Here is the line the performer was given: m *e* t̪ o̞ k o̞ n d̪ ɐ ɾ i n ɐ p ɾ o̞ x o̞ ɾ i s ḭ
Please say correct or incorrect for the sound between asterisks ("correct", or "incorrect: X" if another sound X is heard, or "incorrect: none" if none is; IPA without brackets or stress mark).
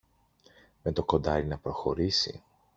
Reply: correct